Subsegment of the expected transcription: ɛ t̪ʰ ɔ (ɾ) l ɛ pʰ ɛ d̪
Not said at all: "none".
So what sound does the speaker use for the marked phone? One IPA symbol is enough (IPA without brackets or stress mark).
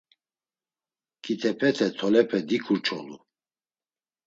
none